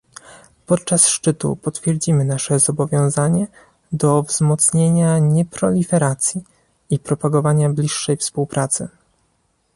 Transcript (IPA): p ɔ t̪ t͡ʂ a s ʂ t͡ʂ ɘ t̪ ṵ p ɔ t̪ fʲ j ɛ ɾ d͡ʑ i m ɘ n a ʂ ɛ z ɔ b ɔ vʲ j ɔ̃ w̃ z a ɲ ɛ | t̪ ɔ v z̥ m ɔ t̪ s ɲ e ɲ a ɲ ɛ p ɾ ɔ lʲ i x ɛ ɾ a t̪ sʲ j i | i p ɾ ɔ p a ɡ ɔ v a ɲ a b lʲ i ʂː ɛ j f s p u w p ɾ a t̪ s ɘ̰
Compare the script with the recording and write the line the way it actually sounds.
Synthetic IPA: p ɔ t̪ t͡ʂ a s ʂ t͡ʂ ɘ t̪ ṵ p ɔ t̪ fʲ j ɛ ɾ d͡ʑ i m ɘ n a ʂ ɛ z ɔ b ɔ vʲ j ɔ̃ w̃ z a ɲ ɛ | d̪ ɔ v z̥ m ɔ t̪ s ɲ e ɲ a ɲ ɛ p ɾ ɔ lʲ i f ɛ ɾ a t̪ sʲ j i | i p ɾ ɔ p a ɡ ɔ v a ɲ a b lʲ i ʂː ɛ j f s p u w p ɾ a t̪ s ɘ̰